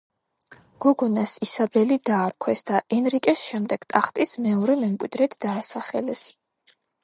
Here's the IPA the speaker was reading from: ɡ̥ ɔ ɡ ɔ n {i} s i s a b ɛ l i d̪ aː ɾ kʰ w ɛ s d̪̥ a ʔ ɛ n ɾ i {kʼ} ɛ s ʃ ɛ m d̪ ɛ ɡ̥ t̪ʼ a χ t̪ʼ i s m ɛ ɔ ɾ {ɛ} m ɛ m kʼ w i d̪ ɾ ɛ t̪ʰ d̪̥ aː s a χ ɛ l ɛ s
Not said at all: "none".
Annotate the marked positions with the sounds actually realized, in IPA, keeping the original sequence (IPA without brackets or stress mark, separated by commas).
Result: a, kʼ, ɛ